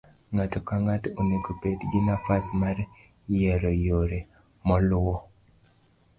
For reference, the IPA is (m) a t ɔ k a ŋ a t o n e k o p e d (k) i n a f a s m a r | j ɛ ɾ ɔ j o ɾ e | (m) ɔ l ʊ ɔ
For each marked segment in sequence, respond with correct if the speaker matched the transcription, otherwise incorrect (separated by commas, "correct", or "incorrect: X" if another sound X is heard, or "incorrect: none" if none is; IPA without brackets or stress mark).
incorrect: ŋ, incorrect: ɡ, correct